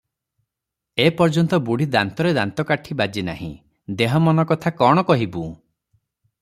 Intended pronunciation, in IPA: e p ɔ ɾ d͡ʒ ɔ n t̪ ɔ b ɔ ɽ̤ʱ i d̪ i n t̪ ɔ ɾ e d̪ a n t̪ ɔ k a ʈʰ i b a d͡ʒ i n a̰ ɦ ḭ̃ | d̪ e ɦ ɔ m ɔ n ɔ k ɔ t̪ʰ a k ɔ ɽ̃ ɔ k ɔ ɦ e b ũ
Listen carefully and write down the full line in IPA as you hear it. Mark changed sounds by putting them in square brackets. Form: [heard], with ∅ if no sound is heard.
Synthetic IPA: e p ɔ ɾ d͡ʒ ɔ n t̪ ɔ b [u] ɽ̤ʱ i d̪ [a] n t̪ ɔ ɾ e d̪ a n t̪ ɔ k a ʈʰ i b a d͡ʒ i n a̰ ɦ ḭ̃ | d̪ e ɦ ɔ m ɔ n ɔ k ɔ t̪ʰ a k ɔ ɽ̃ ɔ k ɔ ɦ [i] b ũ